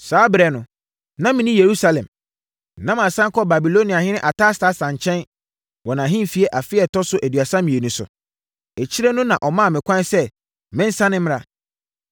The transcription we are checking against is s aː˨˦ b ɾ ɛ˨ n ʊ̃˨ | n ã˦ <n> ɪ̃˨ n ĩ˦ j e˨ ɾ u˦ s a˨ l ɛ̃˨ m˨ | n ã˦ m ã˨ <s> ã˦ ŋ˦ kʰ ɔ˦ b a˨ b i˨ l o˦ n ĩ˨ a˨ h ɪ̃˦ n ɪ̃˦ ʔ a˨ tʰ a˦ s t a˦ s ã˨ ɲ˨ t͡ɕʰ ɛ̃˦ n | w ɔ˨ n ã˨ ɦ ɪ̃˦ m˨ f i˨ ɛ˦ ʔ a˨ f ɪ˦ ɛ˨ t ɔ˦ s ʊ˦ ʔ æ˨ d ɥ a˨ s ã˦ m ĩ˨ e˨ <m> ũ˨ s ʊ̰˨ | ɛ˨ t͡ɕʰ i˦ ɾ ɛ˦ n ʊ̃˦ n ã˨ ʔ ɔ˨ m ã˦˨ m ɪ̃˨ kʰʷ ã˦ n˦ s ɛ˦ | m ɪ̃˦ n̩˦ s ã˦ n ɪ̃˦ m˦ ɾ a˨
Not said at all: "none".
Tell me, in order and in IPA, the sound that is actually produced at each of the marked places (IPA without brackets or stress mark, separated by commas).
m, s, n